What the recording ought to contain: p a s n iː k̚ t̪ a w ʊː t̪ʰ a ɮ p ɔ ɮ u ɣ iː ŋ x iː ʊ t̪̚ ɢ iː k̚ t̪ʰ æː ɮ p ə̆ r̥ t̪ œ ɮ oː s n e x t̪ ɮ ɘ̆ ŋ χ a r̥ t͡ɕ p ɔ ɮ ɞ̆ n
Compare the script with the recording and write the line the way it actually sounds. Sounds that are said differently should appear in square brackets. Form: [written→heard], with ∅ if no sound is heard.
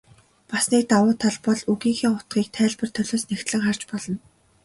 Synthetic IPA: p a s n iː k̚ t̪ a w ʊː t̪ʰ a ɮ p ɔ ɮ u ɣ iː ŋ x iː ʊ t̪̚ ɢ iː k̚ t̪ʰ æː ɮ p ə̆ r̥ [t̪→t̪ʰ] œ ɮ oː s n e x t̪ ɮ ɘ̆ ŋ χ a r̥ t͡ɕ p ɔ ɮ ɞ̆ n